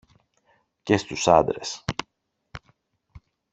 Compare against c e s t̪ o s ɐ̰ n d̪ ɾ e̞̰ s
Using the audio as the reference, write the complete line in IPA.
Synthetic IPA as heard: c e s t̪ u s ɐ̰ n d̪ ɾ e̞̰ s